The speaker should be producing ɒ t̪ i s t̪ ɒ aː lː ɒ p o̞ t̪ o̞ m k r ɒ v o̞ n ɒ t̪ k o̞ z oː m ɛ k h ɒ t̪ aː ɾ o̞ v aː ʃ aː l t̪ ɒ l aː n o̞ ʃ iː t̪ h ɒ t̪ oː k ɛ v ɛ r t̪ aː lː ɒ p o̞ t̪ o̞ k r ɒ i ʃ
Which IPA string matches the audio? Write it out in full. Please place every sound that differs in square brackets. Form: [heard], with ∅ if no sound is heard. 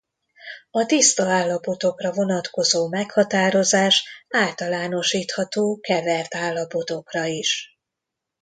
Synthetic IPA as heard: ɒ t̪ i s t̪ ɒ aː lː ɒ p o̞ t̪ o̞ [∅] k r ɒ v o̞ n ɒ t̪ k o̞ z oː m ɛ k h ɒ t̪ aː ɾ o̞ [z] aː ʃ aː l t̪ ɒ l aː n o̞ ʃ iː t̪ h ɒ t̪ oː k ɛ v ɛ r t̪ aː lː ɒ p o̞ t̪ o̞ k r ɒ i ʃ